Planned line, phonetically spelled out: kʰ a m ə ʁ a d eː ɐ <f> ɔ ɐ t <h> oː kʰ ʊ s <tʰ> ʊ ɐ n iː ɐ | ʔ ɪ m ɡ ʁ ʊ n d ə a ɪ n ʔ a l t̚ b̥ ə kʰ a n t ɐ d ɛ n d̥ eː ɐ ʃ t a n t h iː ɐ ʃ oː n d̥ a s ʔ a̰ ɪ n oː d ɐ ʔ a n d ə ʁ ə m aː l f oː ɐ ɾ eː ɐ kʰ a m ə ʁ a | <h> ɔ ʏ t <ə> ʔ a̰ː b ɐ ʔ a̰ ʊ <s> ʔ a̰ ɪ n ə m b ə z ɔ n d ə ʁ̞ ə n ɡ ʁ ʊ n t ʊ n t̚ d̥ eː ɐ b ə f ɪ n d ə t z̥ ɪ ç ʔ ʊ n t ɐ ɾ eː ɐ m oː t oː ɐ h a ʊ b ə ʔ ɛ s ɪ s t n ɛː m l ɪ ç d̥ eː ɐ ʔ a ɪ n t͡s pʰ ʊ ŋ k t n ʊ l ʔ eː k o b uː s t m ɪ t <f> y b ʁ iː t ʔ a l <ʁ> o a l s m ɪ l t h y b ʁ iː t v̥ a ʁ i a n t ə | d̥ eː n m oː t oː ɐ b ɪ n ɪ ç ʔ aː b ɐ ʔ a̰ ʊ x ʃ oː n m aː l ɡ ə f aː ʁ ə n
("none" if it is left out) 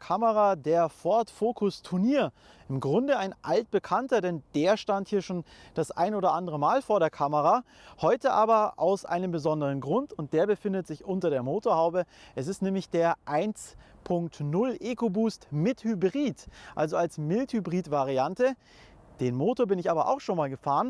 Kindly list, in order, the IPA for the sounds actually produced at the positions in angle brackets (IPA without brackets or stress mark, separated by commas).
f, f, tʰ, h, ə, s, h, z